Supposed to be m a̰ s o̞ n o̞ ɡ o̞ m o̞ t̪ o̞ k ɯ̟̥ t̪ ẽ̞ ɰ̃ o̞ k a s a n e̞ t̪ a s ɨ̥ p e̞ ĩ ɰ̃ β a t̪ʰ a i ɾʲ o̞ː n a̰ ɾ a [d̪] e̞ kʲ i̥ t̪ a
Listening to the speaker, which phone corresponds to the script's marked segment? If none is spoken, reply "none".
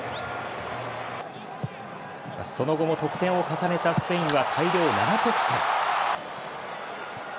t̪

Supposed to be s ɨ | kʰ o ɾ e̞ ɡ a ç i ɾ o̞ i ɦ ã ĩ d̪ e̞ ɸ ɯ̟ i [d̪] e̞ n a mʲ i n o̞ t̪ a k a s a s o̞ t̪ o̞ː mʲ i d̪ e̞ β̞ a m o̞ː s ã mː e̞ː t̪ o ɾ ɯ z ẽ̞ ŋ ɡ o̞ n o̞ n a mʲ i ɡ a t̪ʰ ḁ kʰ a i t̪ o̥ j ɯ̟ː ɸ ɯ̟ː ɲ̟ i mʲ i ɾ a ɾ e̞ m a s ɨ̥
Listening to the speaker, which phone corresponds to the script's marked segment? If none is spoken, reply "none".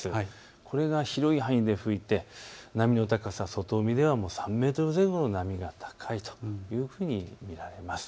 t̪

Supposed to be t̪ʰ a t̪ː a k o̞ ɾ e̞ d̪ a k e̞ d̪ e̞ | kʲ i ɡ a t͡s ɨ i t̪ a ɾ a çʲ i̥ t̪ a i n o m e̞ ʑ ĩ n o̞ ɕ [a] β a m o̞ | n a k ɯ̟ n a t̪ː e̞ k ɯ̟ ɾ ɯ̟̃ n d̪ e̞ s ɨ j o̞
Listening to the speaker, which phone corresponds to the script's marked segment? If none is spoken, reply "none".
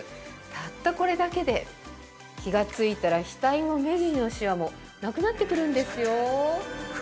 i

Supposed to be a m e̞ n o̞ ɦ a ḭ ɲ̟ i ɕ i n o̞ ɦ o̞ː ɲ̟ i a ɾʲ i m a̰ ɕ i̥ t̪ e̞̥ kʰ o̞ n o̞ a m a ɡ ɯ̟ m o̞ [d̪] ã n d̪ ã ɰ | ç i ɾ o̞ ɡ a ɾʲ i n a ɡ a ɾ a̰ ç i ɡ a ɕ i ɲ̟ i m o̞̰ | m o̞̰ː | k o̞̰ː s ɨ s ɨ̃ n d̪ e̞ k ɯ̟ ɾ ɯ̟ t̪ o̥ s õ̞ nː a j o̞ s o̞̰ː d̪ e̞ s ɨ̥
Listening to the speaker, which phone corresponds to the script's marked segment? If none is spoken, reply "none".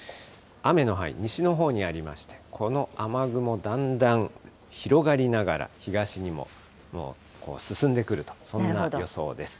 d̪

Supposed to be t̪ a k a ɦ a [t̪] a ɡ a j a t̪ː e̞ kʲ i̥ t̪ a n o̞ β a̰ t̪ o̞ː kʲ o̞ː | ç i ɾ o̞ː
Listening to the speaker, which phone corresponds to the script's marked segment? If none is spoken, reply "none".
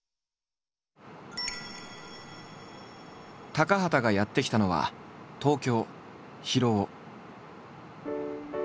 t̪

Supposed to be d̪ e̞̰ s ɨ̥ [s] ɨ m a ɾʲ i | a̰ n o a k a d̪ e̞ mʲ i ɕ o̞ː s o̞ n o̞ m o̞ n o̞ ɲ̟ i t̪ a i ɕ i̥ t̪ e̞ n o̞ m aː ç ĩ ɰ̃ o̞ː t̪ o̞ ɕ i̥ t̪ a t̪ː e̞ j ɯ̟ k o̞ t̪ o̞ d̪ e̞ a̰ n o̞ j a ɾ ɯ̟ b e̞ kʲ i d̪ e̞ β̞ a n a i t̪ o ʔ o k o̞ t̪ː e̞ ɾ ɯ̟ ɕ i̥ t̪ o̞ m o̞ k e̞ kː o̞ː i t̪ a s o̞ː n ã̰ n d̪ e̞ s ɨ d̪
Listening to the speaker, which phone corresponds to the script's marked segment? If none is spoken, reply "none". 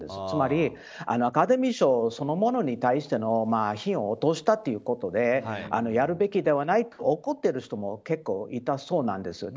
t͡s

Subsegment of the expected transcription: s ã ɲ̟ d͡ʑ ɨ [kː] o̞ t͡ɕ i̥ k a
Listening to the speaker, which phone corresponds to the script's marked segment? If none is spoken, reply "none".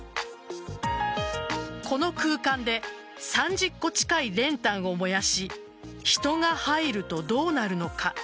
kː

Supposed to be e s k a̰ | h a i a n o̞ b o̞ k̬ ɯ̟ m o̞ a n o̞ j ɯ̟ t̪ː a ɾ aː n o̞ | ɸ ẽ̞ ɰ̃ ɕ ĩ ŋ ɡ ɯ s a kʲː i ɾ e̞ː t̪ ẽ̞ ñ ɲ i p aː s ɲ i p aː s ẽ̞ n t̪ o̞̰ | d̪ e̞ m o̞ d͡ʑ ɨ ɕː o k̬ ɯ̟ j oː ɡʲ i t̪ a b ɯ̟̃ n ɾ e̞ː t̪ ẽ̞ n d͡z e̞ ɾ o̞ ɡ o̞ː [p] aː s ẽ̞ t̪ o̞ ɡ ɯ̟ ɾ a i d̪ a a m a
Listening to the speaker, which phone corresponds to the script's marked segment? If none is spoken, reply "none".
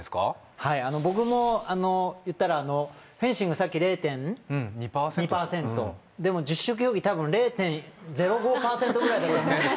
p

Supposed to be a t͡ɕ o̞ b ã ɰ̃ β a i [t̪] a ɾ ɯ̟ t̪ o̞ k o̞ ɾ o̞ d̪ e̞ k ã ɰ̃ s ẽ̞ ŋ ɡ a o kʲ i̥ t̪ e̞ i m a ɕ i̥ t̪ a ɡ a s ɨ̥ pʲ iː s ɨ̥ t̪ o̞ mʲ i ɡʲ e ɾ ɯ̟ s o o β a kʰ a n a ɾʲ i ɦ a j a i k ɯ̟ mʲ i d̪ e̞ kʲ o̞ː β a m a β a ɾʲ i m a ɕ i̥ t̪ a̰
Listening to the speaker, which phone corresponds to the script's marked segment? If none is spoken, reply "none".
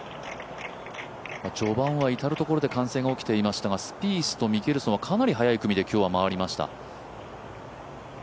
t̪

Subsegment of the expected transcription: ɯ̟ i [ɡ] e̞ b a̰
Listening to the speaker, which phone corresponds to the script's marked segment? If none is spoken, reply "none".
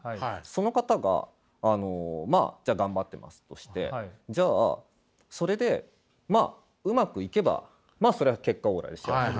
k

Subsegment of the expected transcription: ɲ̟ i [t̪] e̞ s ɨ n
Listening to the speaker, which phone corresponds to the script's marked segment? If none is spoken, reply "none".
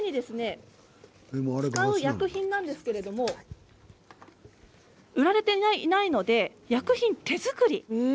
d̪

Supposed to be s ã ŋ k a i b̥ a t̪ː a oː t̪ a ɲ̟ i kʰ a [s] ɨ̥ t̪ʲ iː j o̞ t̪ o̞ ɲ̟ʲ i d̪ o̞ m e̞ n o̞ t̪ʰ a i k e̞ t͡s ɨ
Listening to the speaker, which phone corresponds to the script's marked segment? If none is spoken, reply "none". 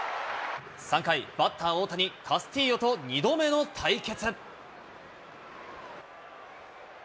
s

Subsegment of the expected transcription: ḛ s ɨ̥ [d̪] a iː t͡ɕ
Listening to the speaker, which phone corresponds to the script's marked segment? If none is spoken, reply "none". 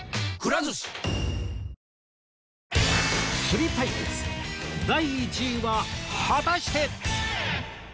d̪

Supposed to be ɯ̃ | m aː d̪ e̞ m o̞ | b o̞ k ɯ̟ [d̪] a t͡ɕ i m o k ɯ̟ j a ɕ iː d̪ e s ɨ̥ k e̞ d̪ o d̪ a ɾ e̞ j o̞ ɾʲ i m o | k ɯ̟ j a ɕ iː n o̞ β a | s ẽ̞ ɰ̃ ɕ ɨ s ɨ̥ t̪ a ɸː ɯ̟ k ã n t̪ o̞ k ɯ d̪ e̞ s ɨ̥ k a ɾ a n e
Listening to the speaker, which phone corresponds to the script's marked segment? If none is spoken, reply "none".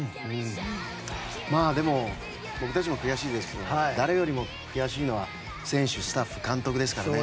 t̪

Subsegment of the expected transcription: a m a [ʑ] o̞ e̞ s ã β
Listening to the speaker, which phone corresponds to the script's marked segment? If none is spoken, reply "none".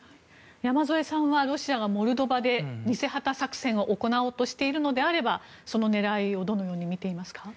z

